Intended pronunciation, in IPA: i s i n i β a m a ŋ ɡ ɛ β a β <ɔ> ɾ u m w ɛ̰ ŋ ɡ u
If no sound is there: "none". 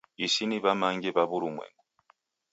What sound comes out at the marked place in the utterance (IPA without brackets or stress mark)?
u